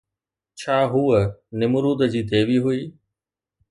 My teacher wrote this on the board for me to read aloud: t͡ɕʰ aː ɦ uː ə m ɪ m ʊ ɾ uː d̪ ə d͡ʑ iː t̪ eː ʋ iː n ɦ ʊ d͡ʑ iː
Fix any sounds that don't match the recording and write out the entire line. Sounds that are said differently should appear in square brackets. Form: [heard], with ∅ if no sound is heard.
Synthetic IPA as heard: t͡ɕʰ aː ɦ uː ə [n] ɪ m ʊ ɾ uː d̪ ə d͡ʑ iː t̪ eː ʋ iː [∅] ɦ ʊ [∅] iː